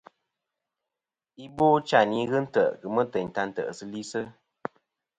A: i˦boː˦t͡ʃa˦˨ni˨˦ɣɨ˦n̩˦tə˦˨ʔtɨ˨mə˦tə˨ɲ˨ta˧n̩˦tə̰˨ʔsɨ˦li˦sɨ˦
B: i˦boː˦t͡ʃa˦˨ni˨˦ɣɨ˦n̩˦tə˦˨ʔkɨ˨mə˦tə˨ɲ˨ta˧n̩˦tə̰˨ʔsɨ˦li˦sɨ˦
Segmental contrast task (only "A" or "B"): B